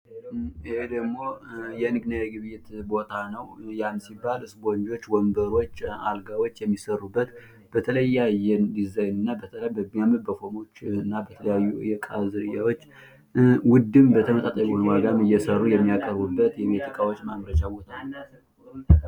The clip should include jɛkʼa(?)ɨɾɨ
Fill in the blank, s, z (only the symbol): z